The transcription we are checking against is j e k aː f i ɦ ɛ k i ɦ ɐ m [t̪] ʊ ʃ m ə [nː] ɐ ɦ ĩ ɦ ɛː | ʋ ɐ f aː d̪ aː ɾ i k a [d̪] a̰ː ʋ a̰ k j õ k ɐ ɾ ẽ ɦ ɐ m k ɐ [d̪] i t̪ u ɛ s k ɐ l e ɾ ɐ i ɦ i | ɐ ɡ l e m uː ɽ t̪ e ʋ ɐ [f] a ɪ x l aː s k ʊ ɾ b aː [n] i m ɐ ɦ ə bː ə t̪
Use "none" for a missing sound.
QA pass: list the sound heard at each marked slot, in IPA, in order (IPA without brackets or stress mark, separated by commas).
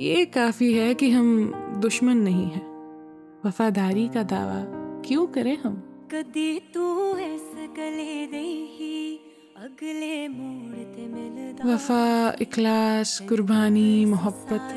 d̪, nː, d̪, d̪, f, n